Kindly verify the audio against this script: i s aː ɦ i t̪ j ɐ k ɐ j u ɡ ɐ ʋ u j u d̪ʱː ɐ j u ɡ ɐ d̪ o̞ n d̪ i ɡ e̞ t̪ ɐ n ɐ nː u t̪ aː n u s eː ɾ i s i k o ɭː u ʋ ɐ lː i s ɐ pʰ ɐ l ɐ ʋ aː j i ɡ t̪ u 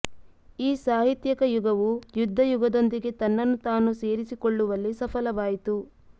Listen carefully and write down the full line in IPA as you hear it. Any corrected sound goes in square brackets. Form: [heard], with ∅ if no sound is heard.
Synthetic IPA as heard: [iː] s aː ɦ i t̪ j ɐ k ɐ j u ɡ ɐ ʋ u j u d̪ʱː ɐ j u ɡ ɐ d̪ o̞ n d̪ i ɡ e̞ t̪ ɐ [nː] ɐ nː u t̪ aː n u s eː ɾ i s i k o ɭː u ʋ ɐ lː i s ɐ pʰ ɐ l ɐ ʋ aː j i [∅] t̪ u